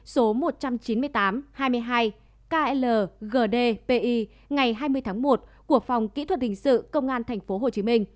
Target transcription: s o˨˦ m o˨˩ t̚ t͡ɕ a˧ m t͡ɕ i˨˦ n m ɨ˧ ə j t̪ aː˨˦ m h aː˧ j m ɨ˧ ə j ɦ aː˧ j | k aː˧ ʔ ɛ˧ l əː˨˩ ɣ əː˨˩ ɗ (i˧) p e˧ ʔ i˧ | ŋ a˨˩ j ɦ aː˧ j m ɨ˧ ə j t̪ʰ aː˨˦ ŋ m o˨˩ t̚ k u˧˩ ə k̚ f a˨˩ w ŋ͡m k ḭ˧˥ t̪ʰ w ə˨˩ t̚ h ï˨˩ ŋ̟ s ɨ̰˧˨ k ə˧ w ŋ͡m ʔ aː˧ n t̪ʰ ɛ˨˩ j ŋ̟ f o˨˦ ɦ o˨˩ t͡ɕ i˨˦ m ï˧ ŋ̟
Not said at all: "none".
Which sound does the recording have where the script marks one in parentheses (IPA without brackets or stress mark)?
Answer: e˧